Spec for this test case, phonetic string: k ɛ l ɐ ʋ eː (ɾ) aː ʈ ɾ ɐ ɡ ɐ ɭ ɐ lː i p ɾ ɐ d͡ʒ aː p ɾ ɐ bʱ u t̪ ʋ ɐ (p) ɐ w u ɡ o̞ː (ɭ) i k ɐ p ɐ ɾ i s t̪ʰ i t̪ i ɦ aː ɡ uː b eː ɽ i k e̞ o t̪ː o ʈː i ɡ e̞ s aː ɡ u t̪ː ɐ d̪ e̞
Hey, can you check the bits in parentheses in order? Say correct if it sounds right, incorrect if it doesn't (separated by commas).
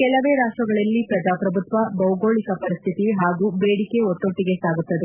correct, incorrect, correct